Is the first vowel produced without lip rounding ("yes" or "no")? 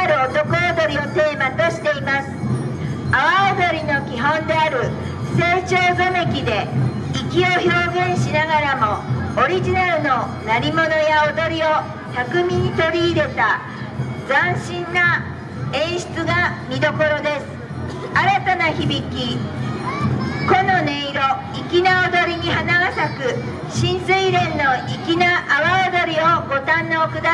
yes